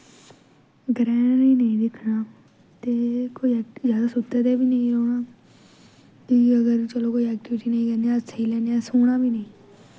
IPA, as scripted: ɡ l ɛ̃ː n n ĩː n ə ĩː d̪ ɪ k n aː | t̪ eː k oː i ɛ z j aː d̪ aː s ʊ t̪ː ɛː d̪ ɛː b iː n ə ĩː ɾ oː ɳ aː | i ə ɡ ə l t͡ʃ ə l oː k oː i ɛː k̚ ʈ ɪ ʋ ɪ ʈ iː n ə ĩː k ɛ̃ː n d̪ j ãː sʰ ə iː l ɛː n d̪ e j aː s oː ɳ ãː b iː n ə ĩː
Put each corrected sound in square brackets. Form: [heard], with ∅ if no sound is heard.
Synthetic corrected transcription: ɡ [ɾ] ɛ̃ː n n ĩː n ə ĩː d̪ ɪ [kʰ] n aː | t̪ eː k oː i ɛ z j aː d̪ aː s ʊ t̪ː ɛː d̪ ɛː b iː n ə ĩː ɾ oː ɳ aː | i ə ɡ ə [ɾ] t͡ʃ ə l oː k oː i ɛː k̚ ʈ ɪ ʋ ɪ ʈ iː n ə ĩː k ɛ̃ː n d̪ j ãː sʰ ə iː l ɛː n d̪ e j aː s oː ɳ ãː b iː n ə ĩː